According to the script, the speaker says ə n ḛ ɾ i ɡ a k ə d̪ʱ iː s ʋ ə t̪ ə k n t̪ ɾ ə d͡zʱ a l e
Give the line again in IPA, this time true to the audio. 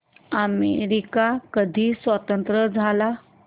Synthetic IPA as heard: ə m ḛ ɾ i k a k ə d̪ʱ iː s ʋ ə t̪ ə n t̪ ɾ ə d͡zʱ a l a